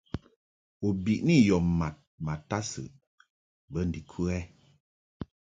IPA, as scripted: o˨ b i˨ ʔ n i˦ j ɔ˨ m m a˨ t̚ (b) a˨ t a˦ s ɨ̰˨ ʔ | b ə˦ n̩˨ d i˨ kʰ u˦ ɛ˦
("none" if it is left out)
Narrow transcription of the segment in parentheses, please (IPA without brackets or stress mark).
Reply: m